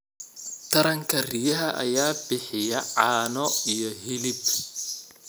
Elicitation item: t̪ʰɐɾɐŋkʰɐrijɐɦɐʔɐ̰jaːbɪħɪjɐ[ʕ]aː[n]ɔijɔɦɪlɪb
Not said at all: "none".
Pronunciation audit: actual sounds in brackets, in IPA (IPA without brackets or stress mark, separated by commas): ʕ, n